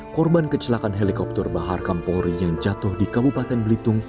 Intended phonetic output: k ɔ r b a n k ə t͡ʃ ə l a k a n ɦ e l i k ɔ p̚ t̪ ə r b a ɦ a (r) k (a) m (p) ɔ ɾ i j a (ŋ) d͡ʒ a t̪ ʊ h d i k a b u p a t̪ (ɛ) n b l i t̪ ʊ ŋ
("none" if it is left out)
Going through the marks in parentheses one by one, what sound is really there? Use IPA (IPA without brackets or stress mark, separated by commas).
r, a, p, ŋ, ɛ